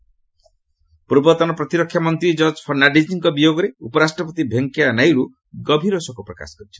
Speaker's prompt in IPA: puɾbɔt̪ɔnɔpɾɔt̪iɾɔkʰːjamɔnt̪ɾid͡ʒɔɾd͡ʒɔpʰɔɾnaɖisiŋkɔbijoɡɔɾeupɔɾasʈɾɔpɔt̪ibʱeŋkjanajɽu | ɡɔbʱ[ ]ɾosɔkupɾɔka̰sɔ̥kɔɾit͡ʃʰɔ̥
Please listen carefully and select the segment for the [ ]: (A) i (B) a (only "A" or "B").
A